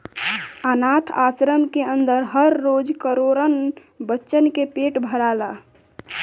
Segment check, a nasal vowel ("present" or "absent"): absent